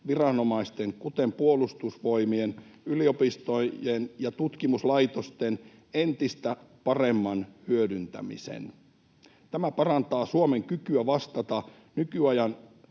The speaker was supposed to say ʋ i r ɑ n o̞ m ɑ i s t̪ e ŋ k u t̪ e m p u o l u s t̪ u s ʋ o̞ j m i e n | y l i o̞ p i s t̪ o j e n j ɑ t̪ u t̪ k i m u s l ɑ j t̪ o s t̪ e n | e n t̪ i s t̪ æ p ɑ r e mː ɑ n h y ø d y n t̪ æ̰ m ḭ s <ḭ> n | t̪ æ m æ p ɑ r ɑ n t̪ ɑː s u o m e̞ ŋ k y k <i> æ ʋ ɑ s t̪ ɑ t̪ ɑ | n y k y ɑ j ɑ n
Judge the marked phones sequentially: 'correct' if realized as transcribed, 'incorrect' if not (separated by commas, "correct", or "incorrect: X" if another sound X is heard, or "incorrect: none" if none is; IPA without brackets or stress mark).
incorrect: ḛ, incorrect: y